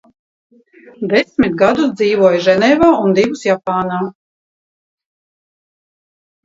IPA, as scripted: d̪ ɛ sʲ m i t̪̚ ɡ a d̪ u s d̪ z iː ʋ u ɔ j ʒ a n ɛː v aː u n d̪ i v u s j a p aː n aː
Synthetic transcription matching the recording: d̪ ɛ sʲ m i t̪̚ ɡ a d̪ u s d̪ z iː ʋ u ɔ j ʒ ɛ n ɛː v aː u n d̪ i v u s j a p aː n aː

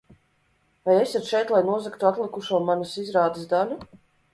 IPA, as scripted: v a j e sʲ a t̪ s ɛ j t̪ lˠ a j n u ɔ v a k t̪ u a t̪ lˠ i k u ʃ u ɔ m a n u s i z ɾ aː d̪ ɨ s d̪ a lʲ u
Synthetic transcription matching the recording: v a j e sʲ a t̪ ʃ ɛ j t̪ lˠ a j n u ɔ z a k t̪ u a t̪ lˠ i k u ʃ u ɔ m a n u s i z ɾ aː d̪ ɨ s d̪ a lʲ u

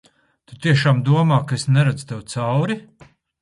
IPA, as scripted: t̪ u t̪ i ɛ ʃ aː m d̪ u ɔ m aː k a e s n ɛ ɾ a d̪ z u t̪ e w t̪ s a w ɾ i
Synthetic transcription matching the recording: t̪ u t̪ i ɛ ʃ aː m d̪ u ɔ m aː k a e s n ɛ ɾ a d̪ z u t̪ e w t̪ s a w ɾ i

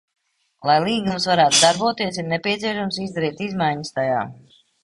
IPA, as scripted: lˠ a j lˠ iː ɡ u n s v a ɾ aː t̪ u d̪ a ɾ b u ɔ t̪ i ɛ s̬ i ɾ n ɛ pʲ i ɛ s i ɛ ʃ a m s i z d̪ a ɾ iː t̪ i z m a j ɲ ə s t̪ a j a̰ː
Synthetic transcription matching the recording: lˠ a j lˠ iː ɡ u m s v a ɾ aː t̪ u d̪ a ɾ b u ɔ t̪ i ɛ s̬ i ɾ n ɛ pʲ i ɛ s i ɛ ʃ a m s i z d̪ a ɾ iː t̪ i z m a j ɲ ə s t̪ a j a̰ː

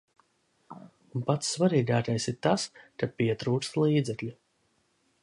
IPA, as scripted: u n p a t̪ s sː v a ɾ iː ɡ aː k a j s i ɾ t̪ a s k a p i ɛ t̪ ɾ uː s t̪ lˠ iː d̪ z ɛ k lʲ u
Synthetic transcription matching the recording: u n p a t̪ s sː v a ɾ iː ɡ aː k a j s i ɾ t̪ a s k a p i ɛ t̪ ɾ uː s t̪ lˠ iː d̪ z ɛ k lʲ u

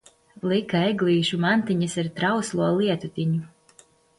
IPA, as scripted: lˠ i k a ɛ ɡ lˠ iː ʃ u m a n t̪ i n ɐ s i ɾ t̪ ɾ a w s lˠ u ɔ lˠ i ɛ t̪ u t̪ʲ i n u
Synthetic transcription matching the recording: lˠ i k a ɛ ɡ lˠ iː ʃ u m a n t̪ i ɲ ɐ s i ɾ t̪ ɾ a w s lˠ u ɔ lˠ i ɛ t̪ u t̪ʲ i ɲ u

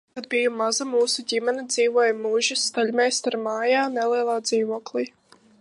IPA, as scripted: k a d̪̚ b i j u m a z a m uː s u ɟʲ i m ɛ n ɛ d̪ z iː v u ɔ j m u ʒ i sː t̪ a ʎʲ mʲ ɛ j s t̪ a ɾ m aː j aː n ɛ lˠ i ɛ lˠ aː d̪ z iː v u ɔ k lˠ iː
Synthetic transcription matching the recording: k a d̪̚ b i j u m a z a m uː s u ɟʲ i m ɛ n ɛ d̪ z iː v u ɔ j m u ʒ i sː t̪ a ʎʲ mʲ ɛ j s t̪ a ɾ m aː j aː n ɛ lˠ i ɛ lˠ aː d̪ z iː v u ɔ k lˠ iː

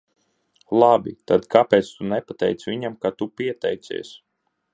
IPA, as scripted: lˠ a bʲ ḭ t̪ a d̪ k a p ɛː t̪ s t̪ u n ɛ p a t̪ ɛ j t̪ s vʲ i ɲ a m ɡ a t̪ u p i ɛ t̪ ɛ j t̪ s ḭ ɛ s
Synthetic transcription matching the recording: lˠ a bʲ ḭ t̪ a d̪ k a p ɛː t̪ s t̪ u n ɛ p a t̪ ɛ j t̪ s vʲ i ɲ a m k a t̪ u p i ɛ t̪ ɛ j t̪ s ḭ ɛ s

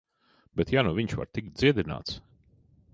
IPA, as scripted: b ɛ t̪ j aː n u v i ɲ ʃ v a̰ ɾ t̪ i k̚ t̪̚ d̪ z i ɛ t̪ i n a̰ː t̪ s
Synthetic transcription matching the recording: b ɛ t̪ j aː n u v i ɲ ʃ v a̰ ɾ t̪ i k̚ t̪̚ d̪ z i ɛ d̪ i n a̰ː t̪ s

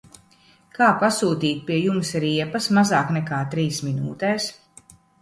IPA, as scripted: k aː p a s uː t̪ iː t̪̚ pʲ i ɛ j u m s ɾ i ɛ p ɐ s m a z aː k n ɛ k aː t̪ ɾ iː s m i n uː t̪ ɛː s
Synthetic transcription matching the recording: k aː p a s uː t̪ iː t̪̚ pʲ i ɛ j u m s ɾ i ɛ p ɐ s m a z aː k n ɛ k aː t̪ ɾ iː s m i n uː t̪ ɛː s

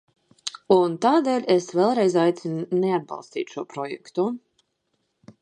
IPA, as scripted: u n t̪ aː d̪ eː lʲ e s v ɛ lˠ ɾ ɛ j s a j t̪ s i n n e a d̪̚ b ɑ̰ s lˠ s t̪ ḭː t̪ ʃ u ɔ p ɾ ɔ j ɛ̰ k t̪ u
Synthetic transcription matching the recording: u n t̪ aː d̪ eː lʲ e s v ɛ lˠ ɾ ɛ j z a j t̪ s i n n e a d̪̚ b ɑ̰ lˠ s t̪ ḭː t̪ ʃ u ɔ p ɾ ɔ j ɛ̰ k t̪ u

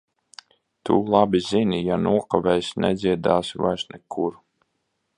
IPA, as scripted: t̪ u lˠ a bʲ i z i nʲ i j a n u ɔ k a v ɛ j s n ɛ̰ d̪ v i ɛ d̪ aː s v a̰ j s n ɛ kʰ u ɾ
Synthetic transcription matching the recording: t̪ u lˠ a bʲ i z i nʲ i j a n u ɔ k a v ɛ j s n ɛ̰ d̪ z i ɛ d̪ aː s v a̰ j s n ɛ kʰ u ɾ

